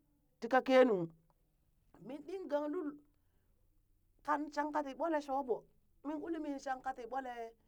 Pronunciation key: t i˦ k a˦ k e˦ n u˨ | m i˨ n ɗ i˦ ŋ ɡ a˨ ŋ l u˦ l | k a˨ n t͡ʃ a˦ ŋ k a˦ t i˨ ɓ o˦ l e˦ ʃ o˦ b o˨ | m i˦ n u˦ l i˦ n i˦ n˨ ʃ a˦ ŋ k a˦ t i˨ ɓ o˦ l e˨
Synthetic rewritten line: t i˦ k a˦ k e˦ n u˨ | m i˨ n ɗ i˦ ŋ ɡ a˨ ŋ l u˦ l | k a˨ n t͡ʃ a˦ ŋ k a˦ t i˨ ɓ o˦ l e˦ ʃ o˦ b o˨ | m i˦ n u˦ l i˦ m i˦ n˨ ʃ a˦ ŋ k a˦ t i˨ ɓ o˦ l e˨